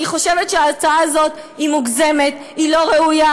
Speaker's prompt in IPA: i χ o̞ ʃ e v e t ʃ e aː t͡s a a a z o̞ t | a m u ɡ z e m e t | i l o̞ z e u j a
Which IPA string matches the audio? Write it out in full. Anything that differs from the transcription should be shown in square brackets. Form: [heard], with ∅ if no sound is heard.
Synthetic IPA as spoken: i χ o̞ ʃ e v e t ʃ e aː t͡s a a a z o̞ t | [i] m u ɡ z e m e t | i l o̞ [ʁ] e u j a